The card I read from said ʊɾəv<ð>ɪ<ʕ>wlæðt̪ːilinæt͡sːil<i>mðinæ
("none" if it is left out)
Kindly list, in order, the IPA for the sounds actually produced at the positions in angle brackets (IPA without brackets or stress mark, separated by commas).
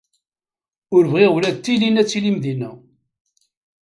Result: ʁ, ʁ, i